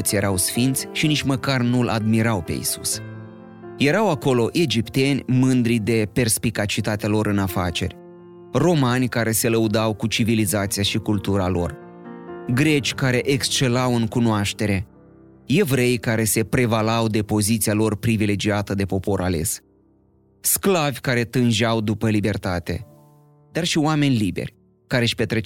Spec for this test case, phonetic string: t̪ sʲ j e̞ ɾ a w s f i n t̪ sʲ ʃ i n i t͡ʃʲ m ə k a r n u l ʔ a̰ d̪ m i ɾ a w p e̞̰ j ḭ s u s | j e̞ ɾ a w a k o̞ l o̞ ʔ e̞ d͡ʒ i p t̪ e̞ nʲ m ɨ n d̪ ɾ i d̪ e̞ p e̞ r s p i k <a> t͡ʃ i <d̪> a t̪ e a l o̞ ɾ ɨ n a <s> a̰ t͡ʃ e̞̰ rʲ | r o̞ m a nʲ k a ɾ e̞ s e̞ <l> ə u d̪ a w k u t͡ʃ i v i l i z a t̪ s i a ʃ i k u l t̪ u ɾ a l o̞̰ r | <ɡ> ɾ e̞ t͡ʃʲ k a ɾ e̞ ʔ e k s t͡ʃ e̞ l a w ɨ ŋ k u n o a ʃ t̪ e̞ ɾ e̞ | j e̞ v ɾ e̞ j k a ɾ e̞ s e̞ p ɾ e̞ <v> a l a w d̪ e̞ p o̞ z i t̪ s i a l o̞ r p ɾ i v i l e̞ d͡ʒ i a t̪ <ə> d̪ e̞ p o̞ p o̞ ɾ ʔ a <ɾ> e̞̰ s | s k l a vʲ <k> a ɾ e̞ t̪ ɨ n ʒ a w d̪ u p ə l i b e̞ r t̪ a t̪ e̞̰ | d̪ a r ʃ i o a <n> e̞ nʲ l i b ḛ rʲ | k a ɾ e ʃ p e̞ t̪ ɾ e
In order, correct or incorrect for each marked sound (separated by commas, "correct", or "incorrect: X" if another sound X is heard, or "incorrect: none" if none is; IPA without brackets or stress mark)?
correct, incorrect: t̪, incorrect: f, correct, correct, correct, correct, incorrect: l, correct, incorrect: m